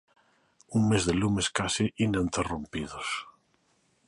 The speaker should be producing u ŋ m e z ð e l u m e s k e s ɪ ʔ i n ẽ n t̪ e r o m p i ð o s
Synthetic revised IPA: u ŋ m e z ð e l u m e s k a s i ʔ i n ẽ n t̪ e r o m p i ð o s